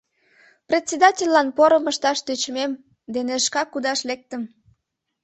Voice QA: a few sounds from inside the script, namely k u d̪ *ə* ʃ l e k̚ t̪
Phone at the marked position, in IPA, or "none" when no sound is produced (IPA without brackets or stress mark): ɑ